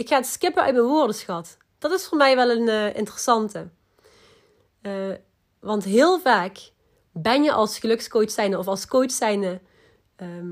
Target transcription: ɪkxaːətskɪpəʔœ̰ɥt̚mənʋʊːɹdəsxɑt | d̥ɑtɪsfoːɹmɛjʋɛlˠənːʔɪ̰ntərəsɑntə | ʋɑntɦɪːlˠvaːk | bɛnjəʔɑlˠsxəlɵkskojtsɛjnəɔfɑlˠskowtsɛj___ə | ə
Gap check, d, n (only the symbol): n